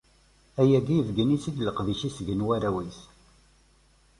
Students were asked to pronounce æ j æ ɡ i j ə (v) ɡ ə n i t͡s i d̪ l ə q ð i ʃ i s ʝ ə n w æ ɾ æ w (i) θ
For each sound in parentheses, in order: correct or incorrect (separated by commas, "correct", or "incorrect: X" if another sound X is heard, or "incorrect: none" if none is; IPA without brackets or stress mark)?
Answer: correct, correct